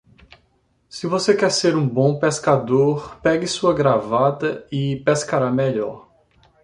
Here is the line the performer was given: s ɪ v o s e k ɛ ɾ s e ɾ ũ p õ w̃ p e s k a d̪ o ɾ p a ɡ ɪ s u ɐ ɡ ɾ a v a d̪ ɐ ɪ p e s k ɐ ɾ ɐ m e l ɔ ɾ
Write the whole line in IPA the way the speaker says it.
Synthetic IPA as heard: s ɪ v o s e k ɛ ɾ s e ɾ ũ b õ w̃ p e s k a d̪ o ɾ p ɛ ɡ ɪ s u ɐ ɡ ɾ a v a t̪ ɐ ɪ p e s k a ɾ a m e ʎ ɔ ɾ